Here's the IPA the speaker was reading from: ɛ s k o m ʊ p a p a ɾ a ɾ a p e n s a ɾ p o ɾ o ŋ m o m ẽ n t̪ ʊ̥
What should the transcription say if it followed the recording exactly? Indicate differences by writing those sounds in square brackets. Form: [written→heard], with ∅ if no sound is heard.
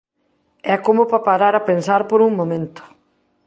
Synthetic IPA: ɛ [s→∅] k o m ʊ p a p a ɾ a ɾ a p e n s a ɾ p o ɾ [o→u] ŋ m o m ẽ n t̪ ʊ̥

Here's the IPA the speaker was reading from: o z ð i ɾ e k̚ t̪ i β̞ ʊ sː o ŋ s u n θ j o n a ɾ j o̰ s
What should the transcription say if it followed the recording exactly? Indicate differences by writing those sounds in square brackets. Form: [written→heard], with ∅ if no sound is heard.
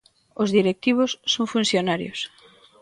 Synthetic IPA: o z ð i ɾ e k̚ t̪ i β̞ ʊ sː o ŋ [s→f] u n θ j o n a ɾ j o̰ s

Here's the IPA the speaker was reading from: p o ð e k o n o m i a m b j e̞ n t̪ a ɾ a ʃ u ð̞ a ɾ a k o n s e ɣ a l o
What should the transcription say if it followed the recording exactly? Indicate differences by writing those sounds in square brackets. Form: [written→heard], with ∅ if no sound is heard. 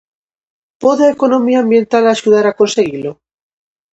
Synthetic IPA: p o ð e k o n o m i a m b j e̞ n t̪ a [ɾ→l] a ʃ u ð̞ a ɾ a k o n s e ɣ [a→i] l o

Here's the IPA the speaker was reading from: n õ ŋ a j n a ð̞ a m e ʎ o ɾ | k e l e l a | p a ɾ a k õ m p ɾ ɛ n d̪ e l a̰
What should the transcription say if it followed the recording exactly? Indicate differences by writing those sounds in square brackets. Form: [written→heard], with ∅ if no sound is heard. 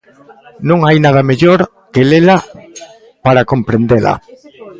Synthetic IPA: n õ ŋ a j n a ð̞ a m e ʎ o ɾ | k e l e l a | p a ɾ a k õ m p ɾ [ɛ→e] n d̪ e l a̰

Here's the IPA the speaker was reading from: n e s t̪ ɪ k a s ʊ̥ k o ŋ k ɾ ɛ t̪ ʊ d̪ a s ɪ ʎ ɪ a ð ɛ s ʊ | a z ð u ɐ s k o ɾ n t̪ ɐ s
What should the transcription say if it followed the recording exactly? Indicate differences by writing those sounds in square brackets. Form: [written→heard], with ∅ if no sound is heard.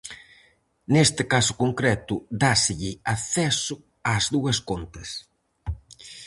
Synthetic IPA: n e s t̪ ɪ k a s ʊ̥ k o ŋ k ɾ ɛ t̪ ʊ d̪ a s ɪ ʎ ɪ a [ð→θ] ɛ s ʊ | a z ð u ɐ s k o [ɾ→∅] n t̪ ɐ s

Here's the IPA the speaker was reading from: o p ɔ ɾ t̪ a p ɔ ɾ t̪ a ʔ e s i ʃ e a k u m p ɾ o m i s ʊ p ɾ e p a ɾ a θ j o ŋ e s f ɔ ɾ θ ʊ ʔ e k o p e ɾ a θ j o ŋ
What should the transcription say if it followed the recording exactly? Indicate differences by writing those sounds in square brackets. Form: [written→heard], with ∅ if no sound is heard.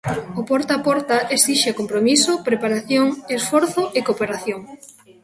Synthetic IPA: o p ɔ ɾ t̪ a p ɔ ɾ t̪ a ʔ e s i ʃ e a k [u→o] m p ɾ o m i s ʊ p ɾ e p a ɾ a θ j o ŋ e s f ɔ ɾ θ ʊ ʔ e k o p e ɾ a θ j o ŋ

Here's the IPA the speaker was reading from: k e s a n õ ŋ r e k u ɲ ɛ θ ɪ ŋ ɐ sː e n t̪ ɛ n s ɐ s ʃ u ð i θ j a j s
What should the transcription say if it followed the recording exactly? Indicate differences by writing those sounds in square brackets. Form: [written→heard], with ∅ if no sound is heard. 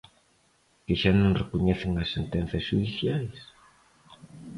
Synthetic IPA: k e [s→ʃ] a n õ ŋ r e k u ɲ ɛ θ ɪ ŋ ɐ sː e n t̪ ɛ n [s→θ] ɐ s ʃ u ð i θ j a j s

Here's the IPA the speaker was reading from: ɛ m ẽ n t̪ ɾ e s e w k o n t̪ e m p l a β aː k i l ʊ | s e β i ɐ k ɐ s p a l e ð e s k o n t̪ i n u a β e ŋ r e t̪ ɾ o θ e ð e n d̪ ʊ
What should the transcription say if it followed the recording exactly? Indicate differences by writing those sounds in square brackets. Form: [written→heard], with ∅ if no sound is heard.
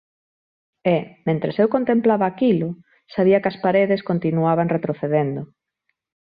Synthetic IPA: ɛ m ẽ n t̪ ɾ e s e w k o n t̪ e m p l a β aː k i l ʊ | s [e→a] β i ɐ k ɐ s p a [l→ɾ] e ð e s k o n t̪ i n u a β [e→a] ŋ r e t̪ ɾ o θ e ð e n d̪ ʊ

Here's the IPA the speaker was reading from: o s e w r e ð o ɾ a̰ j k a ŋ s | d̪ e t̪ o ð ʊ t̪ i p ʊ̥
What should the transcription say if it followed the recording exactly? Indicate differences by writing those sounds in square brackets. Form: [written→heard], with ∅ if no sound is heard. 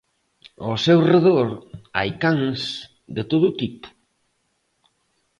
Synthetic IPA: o s e w r e ð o ɾ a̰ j k a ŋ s | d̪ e t̪ o ð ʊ t̪ i p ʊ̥

